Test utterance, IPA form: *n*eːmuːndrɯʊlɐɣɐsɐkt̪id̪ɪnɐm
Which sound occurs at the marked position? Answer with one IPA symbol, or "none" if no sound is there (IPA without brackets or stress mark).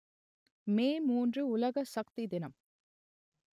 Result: m